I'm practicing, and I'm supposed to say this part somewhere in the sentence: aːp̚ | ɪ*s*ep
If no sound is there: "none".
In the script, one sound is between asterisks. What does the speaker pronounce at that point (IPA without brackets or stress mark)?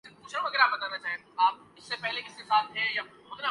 sː